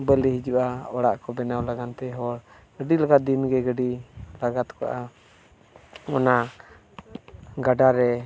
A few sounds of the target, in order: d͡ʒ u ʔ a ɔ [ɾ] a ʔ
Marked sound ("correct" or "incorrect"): incorrect